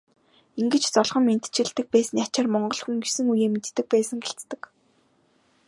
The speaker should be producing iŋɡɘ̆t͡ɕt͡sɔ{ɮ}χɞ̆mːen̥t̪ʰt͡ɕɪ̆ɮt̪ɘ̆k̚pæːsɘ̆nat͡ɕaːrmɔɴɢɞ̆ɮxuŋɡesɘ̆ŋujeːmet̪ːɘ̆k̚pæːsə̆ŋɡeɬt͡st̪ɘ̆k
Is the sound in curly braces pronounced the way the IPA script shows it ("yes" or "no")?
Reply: yes